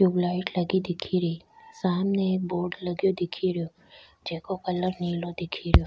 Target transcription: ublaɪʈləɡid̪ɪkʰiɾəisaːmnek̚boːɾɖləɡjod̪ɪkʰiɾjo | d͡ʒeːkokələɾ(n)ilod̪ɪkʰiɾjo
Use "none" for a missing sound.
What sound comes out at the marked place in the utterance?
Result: n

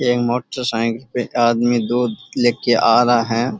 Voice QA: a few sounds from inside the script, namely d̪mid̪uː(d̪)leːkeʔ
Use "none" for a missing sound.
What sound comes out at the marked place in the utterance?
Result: d̪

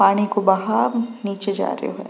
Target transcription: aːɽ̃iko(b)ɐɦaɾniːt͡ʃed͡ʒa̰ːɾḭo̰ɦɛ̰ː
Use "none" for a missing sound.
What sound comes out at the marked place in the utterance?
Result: b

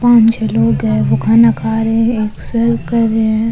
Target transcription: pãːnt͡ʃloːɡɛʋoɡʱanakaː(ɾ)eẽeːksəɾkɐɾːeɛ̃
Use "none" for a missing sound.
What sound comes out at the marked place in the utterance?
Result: ɾ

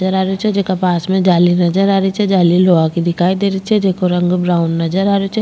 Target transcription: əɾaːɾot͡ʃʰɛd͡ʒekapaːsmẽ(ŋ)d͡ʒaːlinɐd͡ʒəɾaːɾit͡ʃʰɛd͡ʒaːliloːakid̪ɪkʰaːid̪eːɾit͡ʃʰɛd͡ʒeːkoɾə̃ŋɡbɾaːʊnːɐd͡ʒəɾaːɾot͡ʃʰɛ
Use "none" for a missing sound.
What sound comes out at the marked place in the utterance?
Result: none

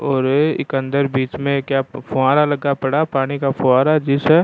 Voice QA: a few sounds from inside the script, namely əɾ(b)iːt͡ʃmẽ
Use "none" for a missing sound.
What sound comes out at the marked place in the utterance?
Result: b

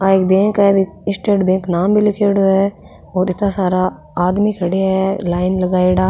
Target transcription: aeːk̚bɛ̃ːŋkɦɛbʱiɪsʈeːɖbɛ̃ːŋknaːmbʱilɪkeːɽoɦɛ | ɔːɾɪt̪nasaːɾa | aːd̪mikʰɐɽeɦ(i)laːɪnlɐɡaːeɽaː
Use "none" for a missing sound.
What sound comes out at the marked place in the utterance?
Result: ɛ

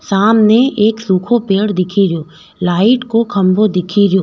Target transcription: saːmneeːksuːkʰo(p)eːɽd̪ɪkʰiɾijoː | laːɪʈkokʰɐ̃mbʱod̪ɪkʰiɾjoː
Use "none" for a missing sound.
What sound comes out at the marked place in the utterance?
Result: p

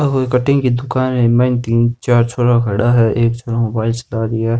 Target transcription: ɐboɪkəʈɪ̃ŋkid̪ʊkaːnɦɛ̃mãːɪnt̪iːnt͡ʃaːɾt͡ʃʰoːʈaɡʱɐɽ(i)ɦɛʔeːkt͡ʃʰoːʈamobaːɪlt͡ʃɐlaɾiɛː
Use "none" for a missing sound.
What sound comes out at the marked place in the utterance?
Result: a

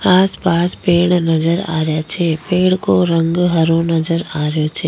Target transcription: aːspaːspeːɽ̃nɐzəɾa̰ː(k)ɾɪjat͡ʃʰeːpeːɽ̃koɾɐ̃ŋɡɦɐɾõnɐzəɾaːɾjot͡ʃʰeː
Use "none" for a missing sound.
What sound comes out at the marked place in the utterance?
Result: none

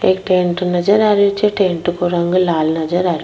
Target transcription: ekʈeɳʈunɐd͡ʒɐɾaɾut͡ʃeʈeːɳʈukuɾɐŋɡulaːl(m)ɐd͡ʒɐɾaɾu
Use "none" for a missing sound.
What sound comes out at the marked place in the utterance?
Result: n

